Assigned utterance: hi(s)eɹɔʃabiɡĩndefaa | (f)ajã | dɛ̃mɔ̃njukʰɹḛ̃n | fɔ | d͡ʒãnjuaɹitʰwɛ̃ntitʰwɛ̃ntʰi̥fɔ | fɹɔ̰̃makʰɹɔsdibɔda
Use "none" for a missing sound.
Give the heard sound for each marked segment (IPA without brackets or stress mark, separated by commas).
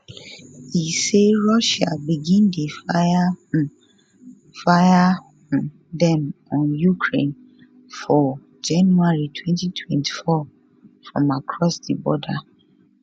s, f